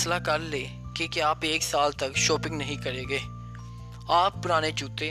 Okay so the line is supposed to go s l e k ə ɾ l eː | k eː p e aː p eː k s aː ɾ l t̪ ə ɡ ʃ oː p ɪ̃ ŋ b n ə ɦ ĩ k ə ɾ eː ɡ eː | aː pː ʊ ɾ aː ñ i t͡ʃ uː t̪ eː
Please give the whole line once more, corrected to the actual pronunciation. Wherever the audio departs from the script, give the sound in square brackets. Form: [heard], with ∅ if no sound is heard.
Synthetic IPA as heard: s l [a] k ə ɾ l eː | k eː [k] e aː p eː k s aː [∅] l t̪ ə [k] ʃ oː p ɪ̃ ŋ [ɡ] n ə ɦ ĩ k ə ɾ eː ɡ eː | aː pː ʊ ɾ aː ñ [e] t͡ʃ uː t̪ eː